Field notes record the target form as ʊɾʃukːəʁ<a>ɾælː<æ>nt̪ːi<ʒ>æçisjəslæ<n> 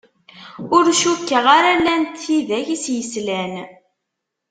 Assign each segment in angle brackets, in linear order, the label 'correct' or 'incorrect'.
correct, correct, incorrect: ð, correct

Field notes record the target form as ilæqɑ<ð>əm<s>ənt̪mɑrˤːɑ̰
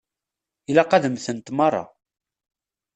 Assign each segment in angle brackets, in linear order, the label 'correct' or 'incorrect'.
correct, incorrect: θ

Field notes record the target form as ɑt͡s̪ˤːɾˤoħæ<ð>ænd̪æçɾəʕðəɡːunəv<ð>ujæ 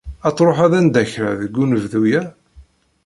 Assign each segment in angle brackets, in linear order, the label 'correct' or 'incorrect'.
correct, correct

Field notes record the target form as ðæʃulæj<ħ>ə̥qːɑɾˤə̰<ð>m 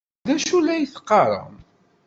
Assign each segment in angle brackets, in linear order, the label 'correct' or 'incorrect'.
incorrect: θ, incorrect: none

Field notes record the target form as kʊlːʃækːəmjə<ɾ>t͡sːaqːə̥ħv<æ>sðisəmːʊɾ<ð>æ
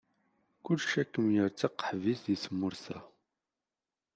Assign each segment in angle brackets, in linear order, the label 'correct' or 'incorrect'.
correct, incorrect: i, incorrect: θ

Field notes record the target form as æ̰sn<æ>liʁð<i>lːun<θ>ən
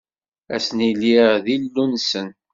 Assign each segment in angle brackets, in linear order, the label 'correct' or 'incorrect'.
incorrect: i, correct, incorrect: s

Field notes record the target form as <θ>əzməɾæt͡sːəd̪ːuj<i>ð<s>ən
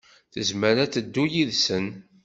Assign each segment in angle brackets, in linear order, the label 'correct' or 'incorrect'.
correct, correct, correct

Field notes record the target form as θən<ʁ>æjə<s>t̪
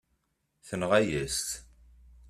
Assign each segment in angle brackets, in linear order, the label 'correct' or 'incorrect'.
correct, correct

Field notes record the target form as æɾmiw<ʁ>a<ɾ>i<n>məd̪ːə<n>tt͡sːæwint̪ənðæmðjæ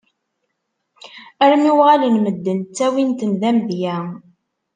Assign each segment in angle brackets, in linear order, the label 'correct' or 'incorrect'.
correct, incorrect: l, correct, correct

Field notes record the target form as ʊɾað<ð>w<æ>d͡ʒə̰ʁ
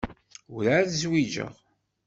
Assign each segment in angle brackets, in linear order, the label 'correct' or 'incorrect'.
incorrect: z, incorrect: i

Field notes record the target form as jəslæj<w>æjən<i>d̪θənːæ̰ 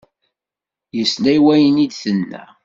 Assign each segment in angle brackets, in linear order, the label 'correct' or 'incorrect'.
correct, correct

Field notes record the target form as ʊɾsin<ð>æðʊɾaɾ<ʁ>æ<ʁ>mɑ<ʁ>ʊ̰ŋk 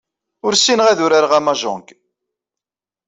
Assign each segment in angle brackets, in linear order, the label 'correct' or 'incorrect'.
incorrect: ʁ, correct, incorrect: none, incorrect: ʒ

